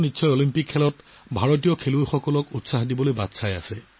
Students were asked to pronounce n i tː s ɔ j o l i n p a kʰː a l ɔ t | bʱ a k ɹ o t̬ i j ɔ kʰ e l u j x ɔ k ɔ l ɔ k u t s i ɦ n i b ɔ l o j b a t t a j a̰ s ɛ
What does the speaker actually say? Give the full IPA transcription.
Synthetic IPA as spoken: n i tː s ɔ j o l i m p i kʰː ɛ l ɔ t | bʱ a ɹ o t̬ i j ɔ kʰ e l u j x ɔ k ɔ l ɔ k u t s a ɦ d i b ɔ l o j b a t s a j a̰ s ɛ